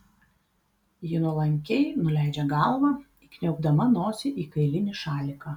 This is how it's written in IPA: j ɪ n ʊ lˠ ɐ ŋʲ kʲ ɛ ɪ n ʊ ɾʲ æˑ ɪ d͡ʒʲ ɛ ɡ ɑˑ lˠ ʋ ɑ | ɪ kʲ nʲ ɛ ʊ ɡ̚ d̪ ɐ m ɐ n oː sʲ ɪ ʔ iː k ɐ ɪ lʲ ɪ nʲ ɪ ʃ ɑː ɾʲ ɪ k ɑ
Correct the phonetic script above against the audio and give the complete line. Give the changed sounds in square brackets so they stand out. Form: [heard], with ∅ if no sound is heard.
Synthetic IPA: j ɪ n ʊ lˠ ɐ ŋʲ kʲ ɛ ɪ n ʊ [lʲ] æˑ ɪ d͡ʒʲ ɛ ɡ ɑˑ lˠ ʋ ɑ | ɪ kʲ nʲ ɛ ʊ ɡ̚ d̪ ɐ m ɐ n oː sʲ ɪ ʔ iː k ɐ ɪ lʲ ɪ nʲ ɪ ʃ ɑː [lʲ] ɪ k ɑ